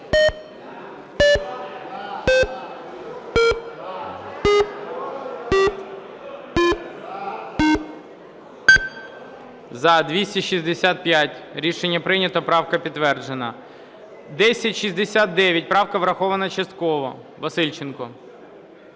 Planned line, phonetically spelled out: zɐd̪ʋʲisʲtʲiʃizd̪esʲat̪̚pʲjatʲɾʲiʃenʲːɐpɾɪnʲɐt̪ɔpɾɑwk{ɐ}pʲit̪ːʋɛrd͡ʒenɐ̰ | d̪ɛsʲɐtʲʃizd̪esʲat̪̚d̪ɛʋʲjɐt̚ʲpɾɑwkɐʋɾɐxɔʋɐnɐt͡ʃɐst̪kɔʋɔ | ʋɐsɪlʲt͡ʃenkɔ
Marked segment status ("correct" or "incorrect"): correct